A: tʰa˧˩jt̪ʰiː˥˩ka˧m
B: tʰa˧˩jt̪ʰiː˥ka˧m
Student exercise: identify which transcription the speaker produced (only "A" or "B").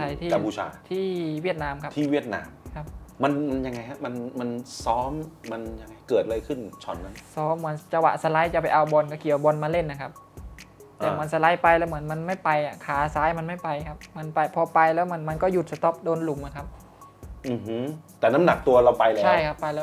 B